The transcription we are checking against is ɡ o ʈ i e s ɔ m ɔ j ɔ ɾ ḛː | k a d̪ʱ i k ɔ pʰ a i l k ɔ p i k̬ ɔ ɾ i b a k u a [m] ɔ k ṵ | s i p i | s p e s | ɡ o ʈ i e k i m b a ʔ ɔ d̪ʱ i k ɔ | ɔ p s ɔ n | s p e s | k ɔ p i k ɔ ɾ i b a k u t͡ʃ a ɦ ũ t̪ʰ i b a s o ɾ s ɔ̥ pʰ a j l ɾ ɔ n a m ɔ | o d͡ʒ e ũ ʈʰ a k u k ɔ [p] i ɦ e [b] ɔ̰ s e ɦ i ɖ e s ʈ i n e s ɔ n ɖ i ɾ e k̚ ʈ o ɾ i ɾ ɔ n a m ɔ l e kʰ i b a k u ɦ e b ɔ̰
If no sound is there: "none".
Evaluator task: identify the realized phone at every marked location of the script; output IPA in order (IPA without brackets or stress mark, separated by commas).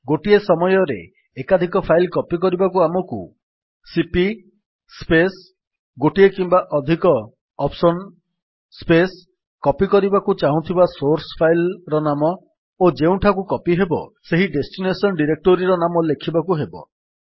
m, p, b